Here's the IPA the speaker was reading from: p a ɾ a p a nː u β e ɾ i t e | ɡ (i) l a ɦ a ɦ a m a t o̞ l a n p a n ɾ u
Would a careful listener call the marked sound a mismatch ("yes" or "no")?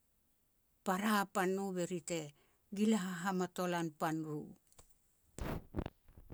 no